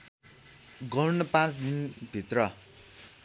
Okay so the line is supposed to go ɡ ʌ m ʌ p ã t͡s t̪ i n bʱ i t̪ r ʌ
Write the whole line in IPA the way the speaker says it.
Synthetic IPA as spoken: ɡ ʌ n ʌ p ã t͡s d̪ i n bʱ i t̪ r ʌ